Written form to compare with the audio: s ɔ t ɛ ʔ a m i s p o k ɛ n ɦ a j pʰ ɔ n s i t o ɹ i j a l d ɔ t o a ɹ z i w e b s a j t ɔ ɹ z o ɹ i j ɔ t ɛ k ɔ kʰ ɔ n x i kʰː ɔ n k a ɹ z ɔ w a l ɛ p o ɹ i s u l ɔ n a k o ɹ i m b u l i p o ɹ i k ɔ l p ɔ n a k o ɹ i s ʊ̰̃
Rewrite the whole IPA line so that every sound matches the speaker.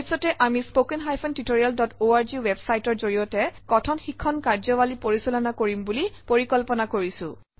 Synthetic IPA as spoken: s ɔ t ɛ ʔ a m i s p o k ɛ n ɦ a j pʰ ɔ n t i t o ɹ i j a l d ɔ t o a ɹ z i w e b s a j t ɔ ɹ z o ɹ i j ɔ t ɛ k ɔ tʰ ɔ n x i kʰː ɔ n k a ɹ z ɔ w a l i p o ɹ i s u l ɔ n a k o ɹ i m b u l i p o ɹ i k ɔ l p ɔ n a k o ɹ i s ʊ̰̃